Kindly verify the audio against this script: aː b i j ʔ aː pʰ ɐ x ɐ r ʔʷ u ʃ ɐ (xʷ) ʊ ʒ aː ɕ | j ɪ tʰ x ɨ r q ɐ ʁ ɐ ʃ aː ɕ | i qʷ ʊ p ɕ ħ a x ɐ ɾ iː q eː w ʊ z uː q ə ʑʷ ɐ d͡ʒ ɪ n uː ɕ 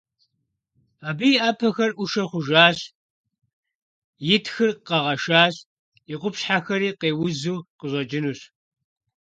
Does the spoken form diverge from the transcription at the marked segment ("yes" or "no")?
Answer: yes